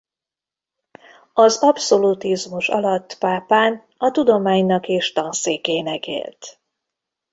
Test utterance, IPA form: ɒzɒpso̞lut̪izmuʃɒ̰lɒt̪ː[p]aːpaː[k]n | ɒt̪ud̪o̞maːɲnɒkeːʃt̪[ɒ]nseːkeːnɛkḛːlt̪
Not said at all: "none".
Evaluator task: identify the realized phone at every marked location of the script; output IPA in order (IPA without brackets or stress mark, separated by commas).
p, none, ɒ